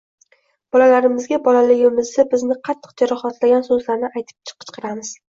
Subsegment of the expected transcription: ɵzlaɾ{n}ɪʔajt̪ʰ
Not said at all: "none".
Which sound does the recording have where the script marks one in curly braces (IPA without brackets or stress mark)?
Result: n